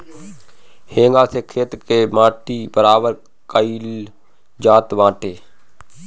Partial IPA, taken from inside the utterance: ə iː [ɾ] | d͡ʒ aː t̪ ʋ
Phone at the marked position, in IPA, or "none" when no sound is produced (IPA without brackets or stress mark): l